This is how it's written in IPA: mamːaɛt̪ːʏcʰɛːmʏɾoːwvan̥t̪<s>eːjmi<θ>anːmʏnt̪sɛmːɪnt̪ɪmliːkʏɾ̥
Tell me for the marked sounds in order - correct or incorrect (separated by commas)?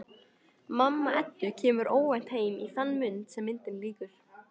incorrect, correct